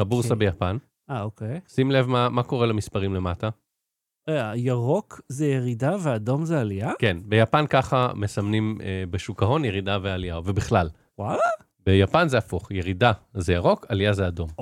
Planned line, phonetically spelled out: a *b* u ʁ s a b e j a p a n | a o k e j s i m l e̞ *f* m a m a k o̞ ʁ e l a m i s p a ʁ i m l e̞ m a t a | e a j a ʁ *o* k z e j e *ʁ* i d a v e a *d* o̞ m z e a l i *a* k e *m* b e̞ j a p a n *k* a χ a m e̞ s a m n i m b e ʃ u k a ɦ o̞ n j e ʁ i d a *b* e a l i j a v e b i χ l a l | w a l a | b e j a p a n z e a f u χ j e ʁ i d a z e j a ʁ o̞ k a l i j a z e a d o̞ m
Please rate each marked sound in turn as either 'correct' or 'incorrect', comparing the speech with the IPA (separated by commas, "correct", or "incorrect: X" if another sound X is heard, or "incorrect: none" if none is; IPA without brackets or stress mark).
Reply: correct, incorrect: v, correct, correct, correct, correct, incorrect: n, correct, incorrect: v